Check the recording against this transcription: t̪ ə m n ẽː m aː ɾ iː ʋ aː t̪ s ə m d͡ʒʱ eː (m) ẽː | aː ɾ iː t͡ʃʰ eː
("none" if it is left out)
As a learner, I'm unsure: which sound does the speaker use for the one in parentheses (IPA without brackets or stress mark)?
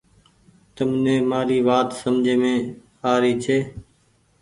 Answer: m